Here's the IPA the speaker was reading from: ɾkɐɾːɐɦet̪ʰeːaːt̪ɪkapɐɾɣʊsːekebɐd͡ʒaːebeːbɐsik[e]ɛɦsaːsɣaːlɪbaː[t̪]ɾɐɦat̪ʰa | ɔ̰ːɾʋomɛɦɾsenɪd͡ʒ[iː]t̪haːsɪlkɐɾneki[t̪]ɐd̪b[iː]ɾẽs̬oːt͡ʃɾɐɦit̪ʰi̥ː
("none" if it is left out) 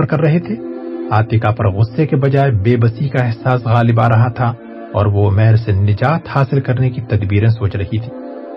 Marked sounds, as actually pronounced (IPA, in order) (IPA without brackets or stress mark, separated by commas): a, none, aː, t̪, iː